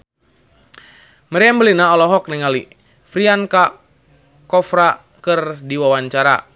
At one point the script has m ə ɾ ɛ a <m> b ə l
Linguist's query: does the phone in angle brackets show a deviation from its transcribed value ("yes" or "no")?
no